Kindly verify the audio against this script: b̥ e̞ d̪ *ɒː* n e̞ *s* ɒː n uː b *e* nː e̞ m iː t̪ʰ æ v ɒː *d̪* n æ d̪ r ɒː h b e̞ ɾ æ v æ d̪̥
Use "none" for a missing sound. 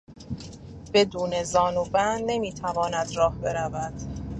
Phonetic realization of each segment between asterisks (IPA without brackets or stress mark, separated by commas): uː, z, æ, none